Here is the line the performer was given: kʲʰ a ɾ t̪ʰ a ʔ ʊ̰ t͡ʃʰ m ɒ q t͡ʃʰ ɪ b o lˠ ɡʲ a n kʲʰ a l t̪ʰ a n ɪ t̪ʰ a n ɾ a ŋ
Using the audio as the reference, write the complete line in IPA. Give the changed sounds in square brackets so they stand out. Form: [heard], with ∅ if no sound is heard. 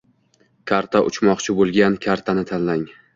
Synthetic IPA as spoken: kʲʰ a ɾ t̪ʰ a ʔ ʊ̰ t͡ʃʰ m ɒ q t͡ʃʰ ɪ b o lˠ ɡʲ a n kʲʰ a [ɾ] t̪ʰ a n ɪ t̪ʰ a n [l] a ŋ